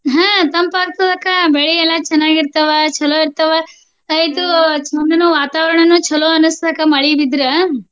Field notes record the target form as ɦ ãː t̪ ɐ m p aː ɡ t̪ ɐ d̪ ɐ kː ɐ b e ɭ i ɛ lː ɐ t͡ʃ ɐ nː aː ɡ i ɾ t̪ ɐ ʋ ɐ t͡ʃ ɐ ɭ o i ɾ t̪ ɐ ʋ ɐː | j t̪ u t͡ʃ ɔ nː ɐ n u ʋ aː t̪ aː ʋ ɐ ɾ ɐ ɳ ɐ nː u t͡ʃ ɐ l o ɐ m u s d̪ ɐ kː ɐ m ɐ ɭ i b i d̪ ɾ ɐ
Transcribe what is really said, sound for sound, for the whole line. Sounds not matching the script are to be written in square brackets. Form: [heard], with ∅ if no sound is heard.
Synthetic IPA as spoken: ɦ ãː t̪ ɐ m p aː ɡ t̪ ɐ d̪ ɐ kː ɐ b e ɭ i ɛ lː ɐ t͡ʃ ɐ nː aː ɡ i ɾ t̪ ɐ ʋ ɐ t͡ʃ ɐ [l] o i ɾ t̪ ɐ ʋ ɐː | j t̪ u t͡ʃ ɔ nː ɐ n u ʋ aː t̪ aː ʋ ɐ ɾ ɐ ɳ ɐ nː u t͡ʃ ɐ l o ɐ [n] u s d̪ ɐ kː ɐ m ɐ ɭ i b i d̪ ɾ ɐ